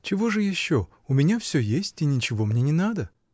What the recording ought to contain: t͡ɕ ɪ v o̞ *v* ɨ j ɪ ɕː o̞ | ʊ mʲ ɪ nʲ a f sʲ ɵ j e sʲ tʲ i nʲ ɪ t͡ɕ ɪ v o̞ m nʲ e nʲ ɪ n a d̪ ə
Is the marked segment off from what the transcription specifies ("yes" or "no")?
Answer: yes